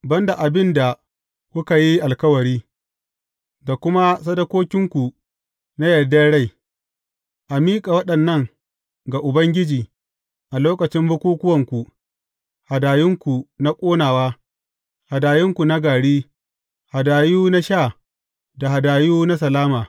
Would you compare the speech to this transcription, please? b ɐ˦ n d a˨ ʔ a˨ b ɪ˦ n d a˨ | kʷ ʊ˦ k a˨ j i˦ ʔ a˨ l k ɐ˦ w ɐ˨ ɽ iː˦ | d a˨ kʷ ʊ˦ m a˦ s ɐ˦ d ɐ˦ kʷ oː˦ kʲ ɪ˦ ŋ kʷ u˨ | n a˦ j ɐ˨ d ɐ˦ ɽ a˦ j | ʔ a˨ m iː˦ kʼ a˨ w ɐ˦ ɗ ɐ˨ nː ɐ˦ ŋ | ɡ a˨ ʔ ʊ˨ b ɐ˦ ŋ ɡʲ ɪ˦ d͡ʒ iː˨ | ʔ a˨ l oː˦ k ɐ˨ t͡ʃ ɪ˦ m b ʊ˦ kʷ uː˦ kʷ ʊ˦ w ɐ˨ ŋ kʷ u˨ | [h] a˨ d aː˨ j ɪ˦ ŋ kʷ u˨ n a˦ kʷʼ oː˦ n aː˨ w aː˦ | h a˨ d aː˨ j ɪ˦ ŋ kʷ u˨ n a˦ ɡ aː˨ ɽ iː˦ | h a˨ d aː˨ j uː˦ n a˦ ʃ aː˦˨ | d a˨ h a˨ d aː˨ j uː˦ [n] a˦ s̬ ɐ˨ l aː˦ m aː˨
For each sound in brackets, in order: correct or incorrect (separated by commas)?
correct, correct